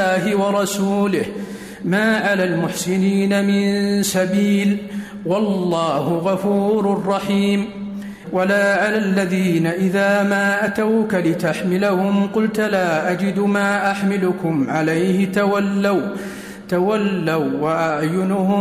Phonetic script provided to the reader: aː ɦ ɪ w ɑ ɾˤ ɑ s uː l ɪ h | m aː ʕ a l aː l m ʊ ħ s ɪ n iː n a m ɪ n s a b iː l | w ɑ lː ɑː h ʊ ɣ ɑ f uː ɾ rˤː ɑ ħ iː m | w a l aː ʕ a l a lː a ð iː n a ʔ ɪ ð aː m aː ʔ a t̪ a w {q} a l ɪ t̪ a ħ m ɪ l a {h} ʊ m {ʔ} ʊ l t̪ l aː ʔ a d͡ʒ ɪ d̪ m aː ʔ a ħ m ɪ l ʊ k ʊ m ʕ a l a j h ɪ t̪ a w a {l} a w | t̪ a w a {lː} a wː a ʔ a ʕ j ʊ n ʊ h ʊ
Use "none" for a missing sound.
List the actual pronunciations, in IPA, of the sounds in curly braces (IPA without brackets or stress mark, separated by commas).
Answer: k, h, q, lː, lː